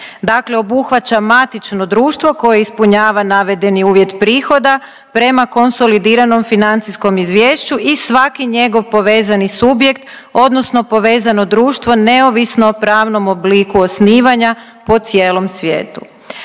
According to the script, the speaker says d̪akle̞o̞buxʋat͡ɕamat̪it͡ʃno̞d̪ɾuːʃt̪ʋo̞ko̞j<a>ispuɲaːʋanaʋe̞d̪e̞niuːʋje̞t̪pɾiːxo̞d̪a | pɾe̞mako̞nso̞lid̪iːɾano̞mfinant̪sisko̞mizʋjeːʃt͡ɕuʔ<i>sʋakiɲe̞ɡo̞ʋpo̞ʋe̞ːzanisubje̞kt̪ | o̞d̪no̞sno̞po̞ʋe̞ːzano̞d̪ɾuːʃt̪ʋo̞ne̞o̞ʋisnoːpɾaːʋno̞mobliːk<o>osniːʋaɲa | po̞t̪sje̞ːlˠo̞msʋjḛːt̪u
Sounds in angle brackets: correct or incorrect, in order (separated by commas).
incorrect, correct, incorrect